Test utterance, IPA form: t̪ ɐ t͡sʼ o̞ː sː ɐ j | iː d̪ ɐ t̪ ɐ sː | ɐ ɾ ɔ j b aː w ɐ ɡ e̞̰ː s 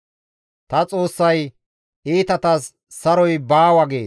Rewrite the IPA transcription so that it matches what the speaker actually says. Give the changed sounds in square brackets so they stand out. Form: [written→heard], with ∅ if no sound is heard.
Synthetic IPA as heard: t̪ ɐ t͡sʼ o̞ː sː ɐ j | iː [d̪→t̪] ɐ t̪ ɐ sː | ɐ ɾ ɔ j b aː w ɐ ɡ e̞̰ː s